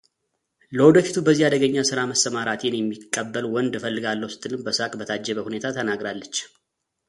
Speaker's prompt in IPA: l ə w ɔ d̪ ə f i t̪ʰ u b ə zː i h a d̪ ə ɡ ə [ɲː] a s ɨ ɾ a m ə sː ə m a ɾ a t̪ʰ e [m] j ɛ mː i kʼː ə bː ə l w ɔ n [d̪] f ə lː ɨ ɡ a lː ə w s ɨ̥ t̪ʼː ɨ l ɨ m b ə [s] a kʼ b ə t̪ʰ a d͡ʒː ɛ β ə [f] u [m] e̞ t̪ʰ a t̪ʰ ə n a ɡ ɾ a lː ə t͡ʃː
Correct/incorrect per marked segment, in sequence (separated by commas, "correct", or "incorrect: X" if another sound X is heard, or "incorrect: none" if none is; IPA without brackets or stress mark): correct, incorrect: n, correct, correct, incorrect: h, incorrect: n